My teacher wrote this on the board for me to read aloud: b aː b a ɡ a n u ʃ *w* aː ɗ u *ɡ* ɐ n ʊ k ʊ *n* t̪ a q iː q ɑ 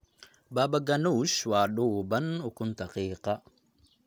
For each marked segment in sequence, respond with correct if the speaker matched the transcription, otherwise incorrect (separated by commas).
correct, incorrect, correct